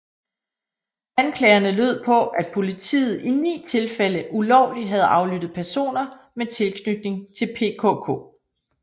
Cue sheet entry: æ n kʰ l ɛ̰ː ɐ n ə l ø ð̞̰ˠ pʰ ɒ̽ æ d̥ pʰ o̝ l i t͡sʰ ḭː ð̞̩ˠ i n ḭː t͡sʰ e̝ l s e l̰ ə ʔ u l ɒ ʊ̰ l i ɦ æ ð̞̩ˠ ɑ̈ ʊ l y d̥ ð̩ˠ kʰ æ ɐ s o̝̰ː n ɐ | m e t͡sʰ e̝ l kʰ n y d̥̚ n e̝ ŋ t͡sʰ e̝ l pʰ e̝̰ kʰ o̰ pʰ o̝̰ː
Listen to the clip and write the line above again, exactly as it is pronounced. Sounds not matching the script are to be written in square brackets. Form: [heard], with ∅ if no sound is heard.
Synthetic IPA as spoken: æ n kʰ l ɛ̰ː ɐ n ə l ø ð̞̰ˠ pʰ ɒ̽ æ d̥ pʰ o̝ l i t͡sʰ ḭː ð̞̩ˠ i n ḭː t͡sʰ e̝ l [f] e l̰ ə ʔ u l ɒ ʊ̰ l i ɦ æ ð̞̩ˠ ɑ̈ ʊ l y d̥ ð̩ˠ [pʰ] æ ɐ s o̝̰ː n ɐ | m e t͡sʰ e̝ l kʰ n y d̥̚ n e̝ ŋ t͡sʰ e̝ l pʰ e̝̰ kʰ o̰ [kʰ] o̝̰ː